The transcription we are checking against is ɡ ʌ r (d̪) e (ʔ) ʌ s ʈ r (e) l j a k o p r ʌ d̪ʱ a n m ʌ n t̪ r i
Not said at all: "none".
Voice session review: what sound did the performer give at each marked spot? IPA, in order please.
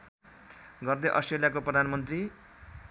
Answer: d̪, ʔ, e

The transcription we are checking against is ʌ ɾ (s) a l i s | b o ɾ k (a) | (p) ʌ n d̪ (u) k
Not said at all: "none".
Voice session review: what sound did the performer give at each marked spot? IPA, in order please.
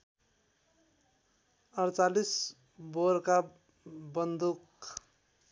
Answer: t͡s, a, b, u

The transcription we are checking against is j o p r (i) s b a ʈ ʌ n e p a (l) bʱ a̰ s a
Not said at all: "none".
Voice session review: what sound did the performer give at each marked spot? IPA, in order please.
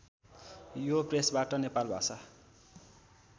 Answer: e, l

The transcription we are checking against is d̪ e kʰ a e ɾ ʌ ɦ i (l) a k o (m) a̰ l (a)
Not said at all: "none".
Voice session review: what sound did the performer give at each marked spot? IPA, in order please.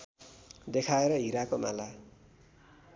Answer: ɾ, m, a

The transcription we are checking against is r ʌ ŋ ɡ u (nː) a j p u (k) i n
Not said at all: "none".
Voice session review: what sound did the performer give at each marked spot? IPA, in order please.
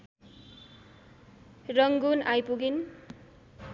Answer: n, ɡ

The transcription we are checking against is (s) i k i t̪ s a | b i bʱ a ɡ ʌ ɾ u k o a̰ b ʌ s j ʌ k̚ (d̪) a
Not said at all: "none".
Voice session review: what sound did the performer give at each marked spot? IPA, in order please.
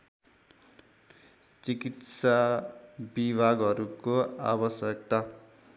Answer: t͡s, t̪

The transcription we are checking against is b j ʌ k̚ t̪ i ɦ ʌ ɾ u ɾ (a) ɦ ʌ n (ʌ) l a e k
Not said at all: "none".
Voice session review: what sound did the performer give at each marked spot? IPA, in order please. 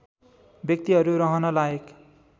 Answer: ʌ, ʌ

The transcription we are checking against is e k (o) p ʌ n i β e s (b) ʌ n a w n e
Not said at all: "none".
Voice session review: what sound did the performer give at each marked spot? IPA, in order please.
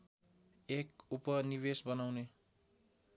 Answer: u, b

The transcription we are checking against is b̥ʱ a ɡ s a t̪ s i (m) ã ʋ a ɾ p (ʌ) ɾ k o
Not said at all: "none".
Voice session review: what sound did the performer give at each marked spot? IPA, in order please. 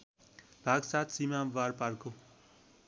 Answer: m, a

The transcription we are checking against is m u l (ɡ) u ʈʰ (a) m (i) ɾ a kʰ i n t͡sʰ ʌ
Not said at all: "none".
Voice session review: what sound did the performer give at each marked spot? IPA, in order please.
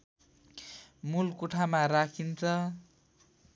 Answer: k, a, a

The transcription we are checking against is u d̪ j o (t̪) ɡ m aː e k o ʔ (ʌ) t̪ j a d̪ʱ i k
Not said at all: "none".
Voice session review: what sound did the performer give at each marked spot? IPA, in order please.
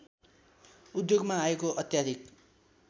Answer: none, ʌ

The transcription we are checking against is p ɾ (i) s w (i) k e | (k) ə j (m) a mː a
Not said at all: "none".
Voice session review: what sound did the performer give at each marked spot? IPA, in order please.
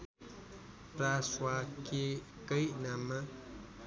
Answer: a, a, k, n

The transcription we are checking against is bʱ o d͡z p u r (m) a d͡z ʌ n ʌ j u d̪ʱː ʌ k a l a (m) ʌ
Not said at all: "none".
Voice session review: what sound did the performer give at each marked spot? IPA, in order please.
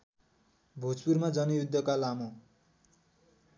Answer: m, m

